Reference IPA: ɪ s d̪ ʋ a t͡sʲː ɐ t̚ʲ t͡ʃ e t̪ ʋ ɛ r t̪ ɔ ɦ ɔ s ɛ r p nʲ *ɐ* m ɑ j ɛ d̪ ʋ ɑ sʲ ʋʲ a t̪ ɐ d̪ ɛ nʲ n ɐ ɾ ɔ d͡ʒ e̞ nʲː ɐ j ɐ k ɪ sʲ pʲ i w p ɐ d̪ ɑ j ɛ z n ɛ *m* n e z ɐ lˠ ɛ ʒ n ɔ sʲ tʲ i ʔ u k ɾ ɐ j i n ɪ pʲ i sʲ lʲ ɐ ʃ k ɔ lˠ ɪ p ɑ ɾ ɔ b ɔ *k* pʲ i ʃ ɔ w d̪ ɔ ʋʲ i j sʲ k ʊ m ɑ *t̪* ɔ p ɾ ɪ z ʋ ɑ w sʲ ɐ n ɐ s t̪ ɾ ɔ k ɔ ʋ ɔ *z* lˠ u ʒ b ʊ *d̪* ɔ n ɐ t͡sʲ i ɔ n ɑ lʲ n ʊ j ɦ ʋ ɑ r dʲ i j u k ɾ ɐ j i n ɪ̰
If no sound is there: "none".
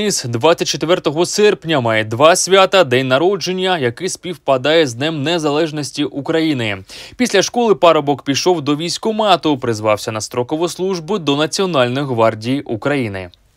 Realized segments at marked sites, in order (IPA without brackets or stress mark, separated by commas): ɐ, m, k, t̪, s, d̪